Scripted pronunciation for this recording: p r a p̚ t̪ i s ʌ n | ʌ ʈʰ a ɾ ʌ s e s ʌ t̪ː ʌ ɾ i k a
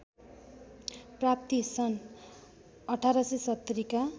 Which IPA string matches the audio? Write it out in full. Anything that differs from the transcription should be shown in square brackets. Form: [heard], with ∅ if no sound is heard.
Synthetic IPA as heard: p r a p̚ t̪ i s ʌ n | ʌ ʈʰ a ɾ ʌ s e s ʌ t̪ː ʌ ɾ i k a

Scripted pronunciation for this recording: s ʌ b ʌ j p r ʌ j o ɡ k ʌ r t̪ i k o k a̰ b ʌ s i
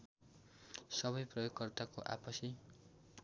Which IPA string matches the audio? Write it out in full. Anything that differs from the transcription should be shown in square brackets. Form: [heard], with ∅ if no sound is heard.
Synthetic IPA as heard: s ʌ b ʌ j p r ʌ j o ɡ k ʌ r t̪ [a] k o [ʔ] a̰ [p] ʌ s i

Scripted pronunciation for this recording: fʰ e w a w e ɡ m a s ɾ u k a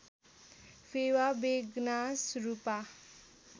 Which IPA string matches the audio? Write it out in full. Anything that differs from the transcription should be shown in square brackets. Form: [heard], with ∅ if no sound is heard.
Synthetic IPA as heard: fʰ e w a [b] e ɡ [n] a s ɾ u [p] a

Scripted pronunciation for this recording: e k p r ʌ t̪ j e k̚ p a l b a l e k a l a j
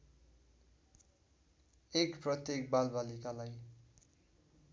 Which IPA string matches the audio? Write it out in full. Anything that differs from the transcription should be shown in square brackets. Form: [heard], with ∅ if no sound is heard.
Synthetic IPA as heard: e k p r ʌ t̪ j e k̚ [b] a l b a l [i] k a l a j

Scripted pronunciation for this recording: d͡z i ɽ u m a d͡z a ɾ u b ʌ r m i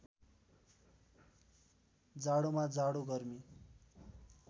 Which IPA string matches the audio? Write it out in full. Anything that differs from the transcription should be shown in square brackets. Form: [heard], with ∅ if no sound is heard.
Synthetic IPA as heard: d͡z [a] ɽ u m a d͡z a [ɽ] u [ɡ] ʌ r m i

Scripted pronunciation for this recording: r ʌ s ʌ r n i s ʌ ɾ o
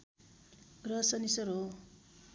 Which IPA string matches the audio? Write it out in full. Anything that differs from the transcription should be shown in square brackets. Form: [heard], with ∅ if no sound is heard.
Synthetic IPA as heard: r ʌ s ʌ [∅] n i s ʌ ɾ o

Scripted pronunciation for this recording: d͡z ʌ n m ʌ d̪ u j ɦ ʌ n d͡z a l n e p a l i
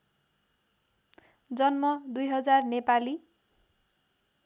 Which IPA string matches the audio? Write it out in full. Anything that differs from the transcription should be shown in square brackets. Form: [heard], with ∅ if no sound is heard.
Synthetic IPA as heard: d͡z ʌ n m ʌ d̪ u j ɦ ʌ [∅] d͡z a [r] n e p a l i

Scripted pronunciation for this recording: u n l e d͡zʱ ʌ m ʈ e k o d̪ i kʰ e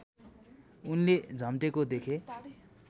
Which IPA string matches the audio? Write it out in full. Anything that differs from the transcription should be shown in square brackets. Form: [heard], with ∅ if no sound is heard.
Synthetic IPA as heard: u n l e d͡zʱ ʌ m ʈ e k o d̪ [e] kʰ e

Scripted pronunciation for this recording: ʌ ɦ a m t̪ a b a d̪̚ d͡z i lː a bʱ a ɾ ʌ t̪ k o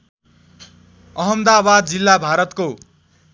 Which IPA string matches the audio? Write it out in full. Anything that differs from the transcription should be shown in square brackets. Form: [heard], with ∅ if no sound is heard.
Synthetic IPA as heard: ʌ ɦ [ʌ] m [d̪] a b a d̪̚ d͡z i lː a bʱ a ɾ ʌ t̪ k o

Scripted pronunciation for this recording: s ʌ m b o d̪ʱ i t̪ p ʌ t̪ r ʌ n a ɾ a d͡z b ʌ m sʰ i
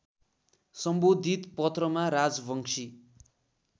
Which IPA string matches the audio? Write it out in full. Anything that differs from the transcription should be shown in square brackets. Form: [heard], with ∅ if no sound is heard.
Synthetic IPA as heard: s ʌ m b o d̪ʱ i t̪ p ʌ t̪ r ʌ [m] a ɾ a d͡z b ʌ [ŋ] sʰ i

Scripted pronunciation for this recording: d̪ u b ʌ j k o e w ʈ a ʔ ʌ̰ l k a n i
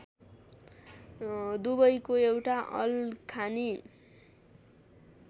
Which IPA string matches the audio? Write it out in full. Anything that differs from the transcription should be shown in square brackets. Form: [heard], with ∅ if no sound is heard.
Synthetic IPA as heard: d̪ u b ʌ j k o e w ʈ a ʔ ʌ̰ l [kʰ] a n i

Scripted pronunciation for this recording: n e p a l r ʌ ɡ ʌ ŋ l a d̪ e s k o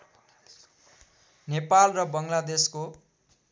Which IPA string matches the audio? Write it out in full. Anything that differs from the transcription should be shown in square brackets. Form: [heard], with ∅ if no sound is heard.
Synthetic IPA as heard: n e p a l r ʌ [b] ʌ ŋ l a d̪ e s k o

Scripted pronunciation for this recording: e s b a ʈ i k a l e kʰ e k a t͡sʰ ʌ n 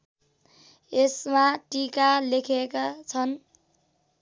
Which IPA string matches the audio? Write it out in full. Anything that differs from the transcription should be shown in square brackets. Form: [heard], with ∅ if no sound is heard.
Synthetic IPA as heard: e s [m] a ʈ i k a l e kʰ e k a t͡sʰ ʌ n

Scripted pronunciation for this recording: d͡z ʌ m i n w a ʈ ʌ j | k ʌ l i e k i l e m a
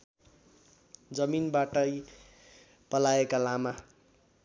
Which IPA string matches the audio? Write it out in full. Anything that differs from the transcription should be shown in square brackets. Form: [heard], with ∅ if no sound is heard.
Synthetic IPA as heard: d͡z ʌ m i n [b] a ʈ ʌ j | [p] ʌ l [a] e k [a] l [a] m a

